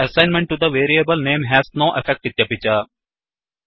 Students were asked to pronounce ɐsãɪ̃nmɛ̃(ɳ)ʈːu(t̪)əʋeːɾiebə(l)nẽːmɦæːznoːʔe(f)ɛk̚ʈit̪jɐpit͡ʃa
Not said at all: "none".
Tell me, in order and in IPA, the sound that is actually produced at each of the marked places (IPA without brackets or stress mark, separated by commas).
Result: ɳ, d̪, l, f